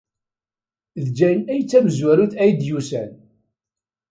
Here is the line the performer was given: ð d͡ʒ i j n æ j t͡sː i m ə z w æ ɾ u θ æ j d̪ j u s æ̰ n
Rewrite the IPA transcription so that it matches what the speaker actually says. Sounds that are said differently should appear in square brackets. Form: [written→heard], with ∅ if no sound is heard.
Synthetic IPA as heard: ð d͡ʒ [i→æ] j n æ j t͡sː [i→æ] m ə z w æ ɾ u θ æ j d̪ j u s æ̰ n